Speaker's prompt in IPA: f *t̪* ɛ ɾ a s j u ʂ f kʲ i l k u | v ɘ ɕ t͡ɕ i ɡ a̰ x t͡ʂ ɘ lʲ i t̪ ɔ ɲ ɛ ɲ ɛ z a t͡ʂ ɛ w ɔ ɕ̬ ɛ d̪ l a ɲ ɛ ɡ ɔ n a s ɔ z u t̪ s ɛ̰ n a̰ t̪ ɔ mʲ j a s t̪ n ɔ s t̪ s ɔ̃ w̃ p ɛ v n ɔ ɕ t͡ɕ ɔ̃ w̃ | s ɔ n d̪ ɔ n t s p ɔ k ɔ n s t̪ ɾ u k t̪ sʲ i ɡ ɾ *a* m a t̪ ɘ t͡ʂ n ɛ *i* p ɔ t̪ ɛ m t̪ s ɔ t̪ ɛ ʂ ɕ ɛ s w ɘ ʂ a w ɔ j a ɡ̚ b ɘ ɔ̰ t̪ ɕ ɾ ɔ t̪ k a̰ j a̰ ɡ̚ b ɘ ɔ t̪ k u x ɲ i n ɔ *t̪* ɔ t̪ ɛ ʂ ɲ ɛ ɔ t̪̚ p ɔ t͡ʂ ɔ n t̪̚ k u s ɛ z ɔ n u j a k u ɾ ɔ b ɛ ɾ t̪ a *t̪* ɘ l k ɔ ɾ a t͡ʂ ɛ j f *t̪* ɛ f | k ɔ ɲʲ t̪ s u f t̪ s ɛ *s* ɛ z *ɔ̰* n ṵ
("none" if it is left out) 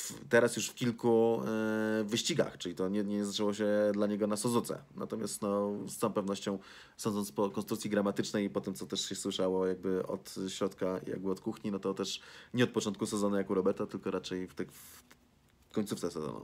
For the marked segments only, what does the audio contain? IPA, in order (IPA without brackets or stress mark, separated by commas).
t̪, a, j, t̪, t̪, t̪, s, ɔ̰